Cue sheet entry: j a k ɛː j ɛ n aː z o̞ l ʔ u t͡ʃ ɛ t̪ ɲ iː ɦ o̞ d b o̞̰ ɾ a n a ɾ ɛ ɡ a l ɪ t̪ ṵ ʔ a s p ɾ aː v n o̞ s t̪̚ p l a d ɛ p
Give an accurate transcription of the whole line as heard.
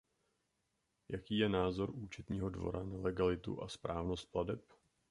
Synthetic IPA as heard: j a k iː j ɛ n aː z o̞ ɾ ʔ uː t͡ʃ ɛ t̪ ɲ iː ɦ o̞ d v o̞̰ ɾ a n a l ɛ ɡ a l ɪ t̪ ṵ ʔ a s p ɾ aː v n o̞ s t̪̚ p l a d ɛ p